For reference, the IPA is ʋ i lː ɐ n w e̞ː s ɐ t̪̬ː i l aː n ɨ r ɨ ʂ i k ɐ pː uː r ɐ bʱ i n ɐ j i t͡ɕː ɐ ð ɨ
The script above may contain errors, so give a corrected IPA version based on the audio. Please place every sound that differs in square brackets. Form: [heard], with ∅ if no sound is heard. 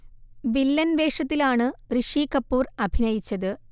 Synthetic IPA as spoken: ʋ i lː ɐ n [ʋ] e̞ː [ʂ] ɐ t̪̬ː i l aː [ɳ] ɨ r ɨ ʂ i k ɐ pː uː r ɐ bʱ i n ɐ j i t͡ɕː ɐ ð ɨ